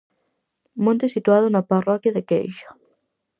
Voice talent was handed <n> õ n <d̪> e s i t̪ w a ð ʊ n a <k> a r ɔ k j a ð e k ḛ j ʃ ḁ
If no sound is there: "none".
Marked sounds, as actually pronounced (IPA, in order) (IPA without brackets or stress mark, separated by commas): m, t̪, p